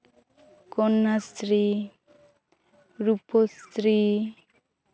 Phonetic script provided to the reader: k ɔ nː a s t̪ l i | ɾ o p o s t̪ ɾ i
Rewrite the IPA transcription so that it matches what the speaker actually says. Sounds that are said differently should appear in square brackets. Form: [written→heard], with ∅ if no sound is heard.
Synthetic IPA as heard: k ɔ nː a s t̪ [l→ɾ] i | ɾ [o→u] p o s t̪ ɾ i